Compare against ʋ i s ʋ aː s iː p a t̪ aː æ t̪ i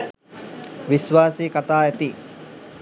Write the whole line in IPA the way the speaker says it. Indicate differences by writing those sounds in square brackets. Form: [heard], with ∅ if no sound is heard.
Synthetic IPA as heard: ʋ i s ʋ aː s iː [k] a t̪ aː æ t̪ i